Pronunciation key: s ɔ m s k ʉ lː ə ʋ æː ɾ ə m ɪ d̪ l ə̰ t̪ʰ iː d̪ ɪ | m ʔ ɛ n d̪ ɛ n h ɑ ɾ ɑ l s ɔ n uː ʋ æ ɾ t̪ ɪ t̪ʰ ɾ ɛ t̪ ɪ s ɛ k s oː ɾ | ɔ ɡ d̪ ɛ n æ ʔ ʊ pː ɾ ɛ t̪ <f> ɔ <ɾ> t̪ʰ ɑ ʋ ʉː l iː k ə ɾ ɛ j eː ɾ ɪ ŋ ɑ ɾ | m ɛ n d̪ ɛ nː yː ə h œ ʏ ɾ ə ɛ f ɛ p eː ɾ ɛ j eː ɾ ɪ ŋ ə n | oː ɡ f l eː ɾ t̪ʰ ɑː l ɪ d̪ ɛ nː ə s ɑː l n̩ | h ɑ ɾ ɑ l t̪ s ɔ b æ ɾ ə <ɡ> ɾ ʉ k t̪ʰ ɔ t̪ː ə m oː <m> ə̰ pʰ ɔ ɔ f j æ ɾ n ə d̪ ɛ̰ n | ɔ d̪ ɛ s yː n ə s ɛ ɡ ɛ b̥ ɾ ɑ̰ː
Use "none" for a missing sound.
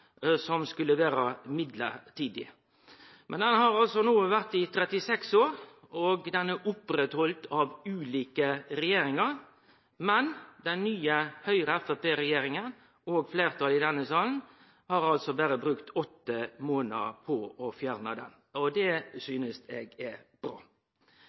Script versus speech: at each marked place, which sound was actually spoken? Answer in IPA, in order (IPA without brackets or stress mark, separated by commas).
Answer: h, l, b, n